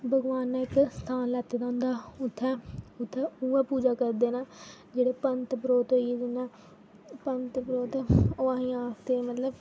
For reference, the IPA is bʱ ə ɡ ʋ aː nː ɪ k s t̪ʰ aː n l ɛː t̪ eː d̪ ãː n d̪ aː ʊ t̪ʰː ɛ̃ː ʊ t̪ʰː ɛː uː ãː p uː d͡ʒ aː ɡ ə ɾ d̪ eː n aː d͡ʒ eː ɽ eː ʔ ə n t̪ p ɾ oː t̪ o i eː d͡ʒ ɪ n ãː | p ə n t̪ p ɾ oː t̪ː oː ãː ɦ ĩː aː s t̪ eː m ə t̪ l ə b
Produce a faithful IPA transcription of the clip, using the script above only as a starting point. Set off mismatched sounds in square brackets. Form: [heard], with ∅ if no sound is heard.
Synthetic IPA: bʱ ə ɡ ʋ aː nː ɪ k s t̪ʰ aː n l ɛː t̪ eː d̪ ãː n d̪ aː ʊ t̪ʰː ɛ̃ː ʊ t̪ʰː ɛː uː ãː p uː d͡ʒ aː [k] ə ɾ d̪ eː n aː d͡ʒ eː ɽ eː [p] ə n t̪ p ɾ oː t̪ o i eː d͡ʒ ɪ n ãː | p ə n t̪ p ɾ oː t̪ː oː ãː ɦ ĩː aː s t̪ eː m ə t̪ l ə b